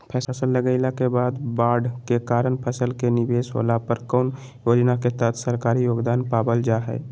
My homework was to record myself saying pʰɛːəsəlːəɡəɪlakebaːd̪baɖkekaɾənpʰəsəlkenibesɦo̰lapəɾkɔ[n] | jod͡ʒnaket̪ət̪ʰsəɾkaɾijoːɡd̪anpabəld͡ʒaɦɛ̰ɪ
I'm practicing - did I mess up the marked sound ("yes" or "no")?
no